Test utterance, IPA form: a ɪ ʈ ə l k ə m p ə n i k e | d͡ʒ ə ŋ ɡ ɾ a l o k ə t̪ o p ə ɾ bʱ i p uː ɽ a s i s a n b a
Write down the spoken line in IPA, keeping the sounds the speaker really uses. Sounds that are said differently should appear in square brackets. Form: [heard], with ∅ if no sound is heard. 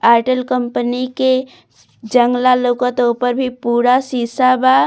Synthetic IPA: a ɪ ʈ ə l k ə m p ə n i k e | d͡ʒ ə ŋ ɡ [l] a l o k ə t̪ o p ə ɾ bʱ i p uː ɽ a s i s a [∅] b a